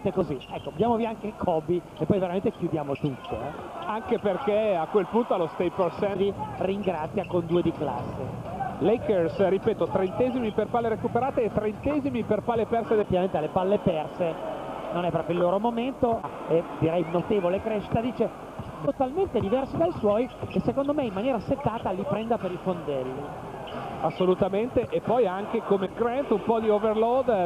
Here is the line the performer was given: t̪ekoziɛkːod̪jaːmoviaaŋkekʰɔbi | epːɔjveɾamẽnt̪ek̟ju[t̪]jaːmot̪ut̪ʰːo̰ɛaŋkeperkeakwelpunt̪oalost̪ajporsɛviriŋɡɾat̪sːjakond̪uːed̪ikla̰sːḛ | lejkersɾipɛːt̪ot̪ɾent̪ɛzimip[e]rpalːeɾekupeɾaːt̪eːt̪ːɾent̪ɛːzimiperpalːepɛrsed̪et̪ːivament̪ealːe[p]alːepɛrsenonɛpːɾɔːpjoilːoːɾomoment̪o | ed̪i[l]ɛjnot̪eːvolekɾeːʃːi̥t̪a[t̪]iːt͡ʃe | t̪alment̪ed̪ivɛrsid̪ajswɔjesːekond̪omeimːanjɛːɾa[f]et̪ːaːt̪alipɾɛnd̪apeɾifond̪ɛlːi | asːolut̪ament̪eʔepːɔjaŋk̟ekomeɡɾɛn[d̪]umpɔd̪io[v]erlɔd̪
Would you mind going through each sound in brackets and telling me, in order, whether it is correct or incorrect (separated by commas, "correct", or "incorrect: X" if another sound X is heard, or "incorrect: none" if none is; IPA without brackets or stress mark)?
incorrect: d̪, correct, correct, incorrect: ɾ, incorrect: d̪, incorrect: s, incorrect: t̪, correct